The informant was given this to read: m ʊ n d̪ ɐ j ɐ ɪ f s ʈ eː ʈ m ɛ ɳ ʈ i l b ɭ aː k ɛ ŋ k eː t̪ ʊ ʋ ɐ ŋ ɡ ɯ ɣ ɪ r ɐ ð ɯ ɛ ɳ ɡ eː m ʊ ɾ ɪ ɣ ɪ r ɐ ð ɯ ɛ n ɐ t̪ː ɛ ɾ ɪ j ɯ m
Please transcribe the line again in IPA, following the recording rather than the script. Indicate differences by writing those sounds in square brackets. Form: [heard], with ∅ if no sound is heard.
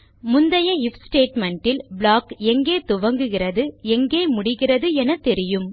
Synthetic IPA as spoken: m ʊ n d̪ ɐ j ɐ ɪ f s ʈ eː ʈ m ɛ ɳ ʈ [ɪ] l b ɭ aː k ɛ ŋ [ɡ] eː t̪ ʊ ʋ ɐ ŋ ɡ ɯ ɣ ɪ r ɐ ð ɯ ɛ [ŋ] ɡ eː m ʊ [ɽ] ɪ ɣ ɪ r ɐ ð ɯ ɛ n ɐ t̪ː ɛ ɾ ɪ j ɯ m